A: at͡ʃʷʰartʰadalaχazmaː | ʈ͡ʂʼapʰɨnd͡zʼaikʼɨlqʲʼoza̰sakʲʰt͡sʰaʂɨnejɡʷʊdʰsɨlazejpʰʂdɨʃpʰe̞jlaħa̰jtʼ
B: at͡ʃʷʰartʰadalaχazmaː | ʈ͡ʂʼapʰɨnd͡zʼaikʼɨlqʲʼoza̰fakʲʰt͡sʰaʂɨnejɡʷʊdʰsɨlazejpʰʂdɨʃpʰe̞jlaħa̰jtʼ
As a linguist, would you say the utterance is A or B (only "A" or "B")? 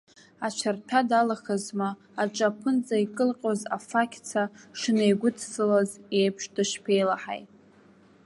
B